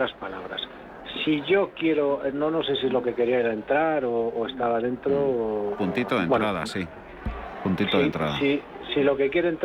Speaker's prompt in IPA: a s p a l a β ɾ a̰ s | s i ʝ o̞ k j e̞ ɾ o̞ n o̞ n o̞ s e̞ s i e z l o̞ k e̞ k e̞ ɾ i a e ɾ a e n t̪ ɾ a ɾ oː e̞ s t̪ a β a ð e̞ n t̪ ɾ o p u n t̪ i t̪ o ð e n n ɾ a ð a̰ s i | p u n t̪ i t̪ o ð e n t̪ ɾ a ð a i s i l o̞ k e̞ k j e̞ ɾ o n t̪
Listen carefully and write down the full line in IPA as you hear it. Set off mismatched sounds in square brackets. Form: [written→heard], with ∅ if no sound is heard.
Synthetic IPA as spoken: a s p a l a β ɾ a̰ s | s i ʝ o̞ k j e̞ ɾ o̞ n o̞ n o̞ s e̞ s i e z l o̞ k e̞ k e̞ ɾ i a e ɾ a e n t̪ ɾ a ɾ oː e̞ s t̪ a β a ð e̞ n t̪ ɾ o p u n t̪ i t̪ o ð e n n ɾ a ð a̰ s i | p u n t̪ i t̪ o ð e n t̪ ɾ a ð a i s i l o̞ k e̞ k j e̞ ɾ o n t̪